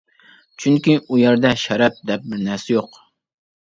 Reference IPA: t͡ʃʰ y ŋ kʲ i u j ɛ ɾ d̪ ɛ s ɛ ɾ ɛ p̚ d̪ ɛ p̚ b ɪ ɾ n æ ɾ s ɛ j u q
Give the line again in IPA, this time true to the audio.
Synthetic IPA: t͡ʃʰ y ŋ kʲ i u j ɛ ɾ d̪ ɛ ʃ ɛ ɾ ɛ p̚ d̪ ɛ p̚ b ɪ ɾ n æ ɾ s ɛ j o q